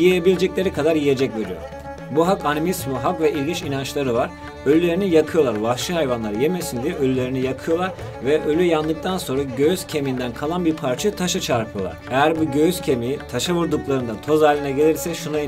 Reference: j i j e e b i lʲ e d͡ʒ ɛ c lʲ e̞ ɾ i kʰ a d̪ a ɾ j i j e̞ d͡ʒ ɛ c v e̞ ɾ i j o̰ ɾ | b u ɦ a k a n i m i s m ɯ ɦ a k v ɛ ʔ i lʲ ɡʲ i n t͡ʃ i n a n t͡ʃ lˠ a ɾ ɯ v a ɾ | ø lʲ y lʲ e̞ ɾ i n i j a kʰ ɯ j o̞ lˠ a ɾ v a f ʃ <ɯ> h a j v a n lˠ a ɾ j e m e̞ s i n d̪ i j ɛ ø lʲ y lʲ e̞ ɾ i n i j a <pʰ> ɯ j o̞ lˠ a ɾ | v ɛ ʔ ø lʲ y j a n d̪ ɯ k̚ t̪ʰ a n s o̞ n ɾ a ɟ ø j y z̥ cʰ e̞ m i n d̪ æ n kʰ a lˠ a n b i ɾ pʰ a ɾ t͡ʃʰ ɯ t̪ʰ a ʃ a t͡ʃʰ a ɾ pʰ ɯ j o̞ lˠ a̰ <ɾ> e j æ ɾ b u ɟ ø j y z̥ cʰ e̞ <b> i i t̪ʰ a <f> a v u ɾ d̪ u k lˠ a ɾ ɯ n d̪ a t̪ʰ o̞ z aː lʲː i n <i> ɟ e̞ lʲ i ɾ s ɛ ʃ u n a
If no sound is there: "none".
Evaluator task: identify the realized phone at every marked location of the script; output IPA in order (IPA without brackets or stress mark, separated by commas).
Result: ɯ, kʰ, ɾ, m, ʃ, ɛ